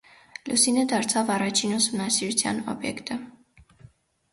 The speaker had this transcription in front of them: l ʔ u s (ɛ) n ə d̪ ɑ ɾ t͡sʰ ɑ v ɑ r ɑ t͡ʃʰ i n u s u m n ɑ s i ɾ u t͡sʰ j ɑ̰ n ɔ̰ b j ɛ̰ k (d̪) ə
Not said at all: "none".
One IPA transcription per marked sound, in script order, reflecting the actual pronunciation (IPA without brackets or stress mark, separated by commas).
i, t̪